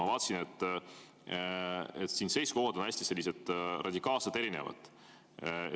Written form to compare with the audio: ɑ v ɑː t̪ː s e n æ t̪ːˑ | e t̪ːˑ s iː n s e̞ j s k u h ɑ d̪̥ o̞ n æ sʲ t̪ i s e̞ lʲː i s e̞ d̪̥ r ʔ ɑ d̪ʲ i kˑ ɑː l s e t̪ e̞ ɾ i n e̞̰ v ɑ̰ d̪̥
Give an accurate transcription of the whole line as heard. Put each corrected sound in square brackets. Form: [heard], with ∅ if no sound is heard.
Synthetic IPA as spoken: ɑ v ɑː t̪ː s [i] n [e] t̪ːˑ | e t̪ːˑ s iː n s e̞ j s k [o] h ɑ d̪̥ o̞ n æ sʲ t̪ i s e̞ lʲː i s e̞ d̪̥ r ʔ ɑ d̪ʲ i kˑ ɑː l s e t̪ e̞ ɾ i n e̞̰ v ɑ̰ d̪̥